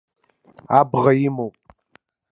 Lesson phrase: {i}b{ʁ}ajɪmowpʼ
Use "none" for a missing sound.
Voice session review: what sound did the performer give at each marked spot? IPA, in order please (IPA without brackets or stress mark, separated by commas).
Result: a, ʁ